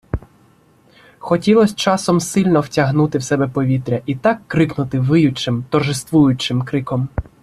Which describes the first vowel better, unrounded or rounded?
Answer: rounded